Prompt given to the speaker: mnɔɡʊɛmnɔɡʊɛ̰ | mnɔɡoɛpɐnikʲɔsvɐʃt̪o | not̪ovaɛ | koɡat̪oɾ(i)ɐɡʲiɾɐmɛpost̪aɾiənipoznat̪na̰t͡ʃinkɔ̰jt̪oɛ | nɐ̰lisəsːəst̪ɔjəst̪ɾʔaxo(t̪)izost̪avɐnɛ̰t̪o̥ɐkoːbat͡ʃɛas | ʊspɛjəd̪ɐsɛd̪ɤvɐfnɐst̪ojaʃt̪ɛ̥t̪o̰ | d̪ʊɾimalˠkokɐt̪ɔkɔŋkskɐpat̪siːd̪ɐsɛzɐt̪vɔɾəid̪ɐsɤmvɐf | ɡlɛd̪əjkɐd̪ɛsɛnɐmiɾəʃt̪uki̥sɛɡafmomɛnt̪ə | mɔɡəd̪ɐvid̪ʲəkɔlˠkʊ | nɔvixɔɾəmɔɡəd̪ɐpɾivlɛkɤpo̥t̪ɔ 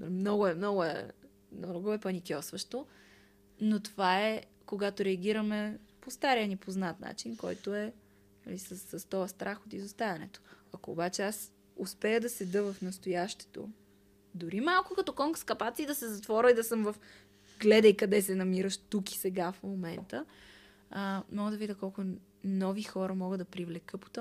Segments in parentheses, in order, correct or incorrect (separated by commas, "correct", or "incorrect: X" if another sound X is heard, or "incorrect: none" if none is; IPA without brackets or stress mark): incorrect: ɛ, correct